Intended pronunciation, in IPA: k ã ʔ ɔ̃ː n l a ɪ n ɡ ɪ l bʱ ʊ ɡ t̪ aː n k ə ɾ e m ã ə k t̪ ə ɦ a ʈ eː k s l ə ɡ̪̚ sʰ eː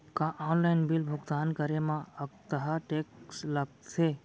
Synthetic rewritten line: k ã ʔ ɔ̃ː n l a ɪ n b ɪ l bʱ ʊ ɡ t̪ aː n k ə ɾ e m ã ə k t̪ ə ɦ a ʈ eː k s l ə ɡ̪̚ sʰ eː